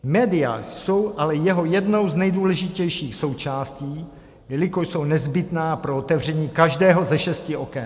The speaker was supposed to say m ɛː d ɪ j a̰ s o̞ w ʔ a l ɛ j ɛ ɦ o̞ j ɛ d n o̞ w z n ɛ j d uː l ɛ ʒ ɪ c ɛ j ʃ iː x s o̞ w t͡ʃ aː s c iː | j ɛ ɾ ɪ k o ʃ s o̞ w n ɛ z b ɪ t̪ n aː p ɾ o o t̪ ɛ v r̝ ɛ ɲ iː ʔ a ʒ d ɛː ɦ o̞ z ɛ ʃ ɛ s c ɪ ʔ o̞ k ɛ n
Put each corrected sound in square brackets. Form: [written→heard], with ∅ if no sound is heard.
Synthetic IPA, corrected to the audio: m ɛː d ɪ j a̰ s o̞ w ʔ a l ɛ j ɛ ɦ o̞ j ɛ d n o̞ w z n ɛ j d uː l ɛ ʒ ɪ c ɛ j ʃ iː x s o̞ w t͡ʃ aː s c iː | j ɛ [ɾ→l] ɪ k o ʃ s o̞ w n ɛ z b ɪ t̪ n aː p ɾ o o t̪ ɛ v r̝ ɛ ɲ iː [ʔ→k] a ʒ d ɛː ɦ o̞ z ɛ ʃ ɛ s c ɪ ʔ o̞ k ɛ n